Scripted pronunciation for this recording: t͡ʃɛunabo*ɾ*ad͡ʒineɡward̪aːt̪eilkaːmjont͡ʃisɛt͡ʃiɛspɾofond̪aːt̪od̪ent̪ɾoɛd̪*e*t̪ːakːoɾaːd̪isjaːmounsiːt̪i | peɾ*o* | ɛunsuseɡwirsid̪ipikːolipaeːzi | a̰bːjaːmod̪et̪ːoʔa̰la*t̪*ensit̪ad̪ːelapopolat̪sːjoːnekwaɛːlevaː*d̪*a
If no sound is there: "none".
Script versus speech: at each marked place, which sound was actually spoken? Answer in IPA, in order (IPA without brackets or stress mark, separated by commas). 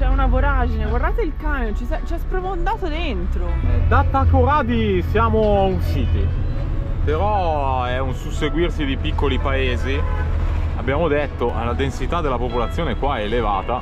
ɾ, a, ɔ, d̪, t̪